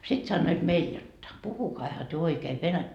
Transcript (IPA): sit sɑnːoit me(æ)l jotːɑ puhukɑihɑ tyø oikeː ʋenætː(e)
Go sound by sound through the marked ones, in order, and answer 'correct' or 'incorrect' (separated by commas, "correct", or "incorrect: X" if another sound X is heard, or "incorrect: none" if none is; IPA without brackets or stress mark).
incorrect: i, incorrect: æ